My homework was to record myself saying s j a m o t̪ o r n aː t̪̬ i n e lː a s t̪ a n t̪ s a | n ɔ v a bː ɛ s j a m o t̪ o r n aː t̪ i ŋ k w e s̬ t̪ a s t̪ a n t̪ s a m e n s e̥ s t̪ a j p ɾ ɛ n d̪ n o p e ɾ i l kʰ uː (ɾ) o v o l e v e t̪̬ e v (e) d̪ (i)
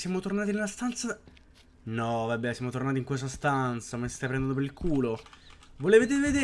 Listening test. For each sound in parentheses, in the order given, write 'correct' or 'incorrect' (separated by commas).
incorrect, correct, incorrect